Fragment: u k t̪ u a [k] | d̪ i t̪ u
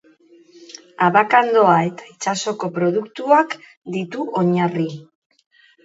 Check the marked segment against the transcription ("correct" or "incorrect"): correct